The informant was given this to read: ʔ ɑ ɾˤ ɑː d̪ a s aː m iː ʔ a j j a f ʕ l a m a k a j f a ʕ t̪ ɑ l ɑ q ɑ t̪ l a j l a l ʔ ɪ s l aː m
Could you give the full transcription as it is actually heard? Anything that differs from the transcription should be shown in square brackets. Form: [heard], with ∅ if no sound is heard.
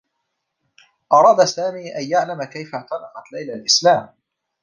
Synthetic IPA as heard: ʔ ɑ ɾˤ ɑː d̪ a s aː m iː ʔ a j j a [∅] ʕ l a m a k a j f a ʕ t̪ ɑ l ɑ q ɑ t̪ l a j l a l ʔ ɪ s l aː m